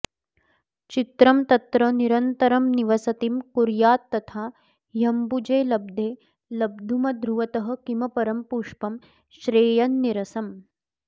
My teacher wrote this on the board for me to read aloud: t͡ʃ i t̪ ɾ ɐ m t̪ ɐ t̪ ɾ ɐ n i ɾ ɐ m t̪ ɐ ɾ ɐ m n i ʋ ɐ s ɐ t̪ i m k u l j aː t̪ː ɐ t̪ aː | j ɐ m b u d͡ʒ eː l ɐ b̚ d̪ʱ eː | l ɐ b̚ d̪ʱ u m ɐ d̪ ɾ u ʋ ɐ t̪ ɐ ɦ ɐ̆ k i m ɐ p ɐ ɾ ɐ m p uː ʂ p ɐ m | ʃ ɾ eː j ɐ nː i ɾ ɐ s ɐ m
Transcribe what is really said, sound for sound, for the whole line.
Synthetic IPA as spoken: t͡ʃ i t̪ ɾ ɐ m t̪ ɐ t̪ ɾ ɐ n i ɾ ɐ n t̪ ɐ ɾ ɐ m n i ʋ ɐ s ɐ t̪ i m k u ɾ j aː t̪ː ɐ t̪ʰ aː | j ɐ m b u d͡ʒ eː l ɐ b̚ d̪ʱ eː | l ɐ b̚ d̪ʱ u m ɐ d̪ ɾ u ʋ ɐ t̪ ɐ ɦ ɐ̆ k i m ɐ p ɐ ɾ ɐ m p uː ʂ p ɐ m | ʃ ɾ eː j ɐ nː i ɾ ɐ s ɐ m